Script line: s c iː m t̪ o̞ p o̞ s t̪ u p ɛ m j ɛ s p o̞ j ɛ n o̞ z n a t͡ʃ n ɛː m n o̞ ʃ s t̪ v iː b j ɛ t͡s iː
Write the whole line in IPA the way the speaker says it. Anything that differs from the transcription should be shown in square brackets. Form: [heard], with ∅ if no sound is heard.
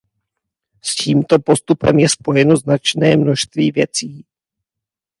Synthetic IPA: s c iː m t̪ o̞ p o̞ s t̪ u p ɛ m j ɛ s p o̞ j ɛ n o̞ z n a t͡ʃ n ɛː m n o̞ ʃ s t̪ v iː [v] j ɛ t͡s iː